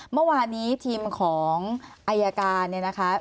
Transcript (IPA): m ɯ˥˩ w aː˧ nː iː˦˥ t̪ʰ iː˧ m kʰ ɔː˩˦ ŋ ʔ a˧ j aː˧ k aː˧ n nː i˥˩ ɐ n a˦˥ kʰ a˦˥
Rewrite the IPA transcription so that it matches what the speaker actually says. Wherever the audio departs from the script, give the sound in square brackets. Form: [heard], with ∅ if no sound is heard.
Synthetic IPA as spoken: m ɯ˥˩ w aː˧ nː iː˦˥ t̪ʰ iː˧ m kʰ ɔː˩˦ ŋ ʔ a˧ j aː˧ k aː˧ n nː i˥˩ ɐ n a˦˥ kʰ a˦˥